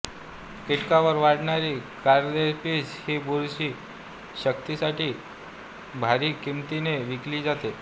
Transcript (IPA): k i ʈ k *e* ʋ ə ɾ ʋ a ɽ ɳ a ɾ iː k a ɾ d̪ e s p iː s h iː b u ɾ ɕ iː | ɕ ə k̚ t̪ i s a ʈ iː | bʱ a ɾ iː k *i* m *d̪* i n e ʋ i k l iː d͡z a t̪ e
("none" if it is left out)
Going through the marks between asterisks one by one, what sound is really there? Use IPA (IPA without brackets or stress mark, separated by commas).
a, i, t̪